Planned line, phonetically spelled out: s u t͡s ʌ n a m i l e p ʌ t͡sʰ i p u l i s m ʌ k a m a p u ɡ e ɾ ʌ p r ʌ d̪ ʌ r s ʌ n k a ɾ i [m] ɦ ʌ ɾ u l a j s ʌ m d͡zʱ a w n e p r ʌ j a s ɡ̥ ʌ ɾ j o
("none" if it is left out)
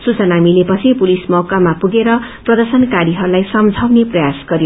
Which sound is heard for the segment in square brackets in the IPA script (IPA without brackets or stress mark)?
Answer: none